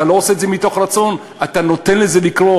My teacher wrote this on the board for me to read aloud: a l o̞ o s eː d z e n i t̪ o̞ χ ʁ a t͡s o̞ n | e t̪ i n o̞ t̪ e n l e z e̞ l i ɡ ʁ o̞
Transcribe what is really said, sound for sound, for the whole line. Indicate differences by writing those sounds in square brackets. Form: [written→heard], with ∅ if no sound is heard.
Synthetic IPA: a l o̞ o s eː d z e [n→m] i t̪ o̞ χ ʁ a t͡s o̞ n | [e→a] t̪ [i→a] n o̞ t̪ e n l e z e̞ l i [ɡ→k] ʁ o̞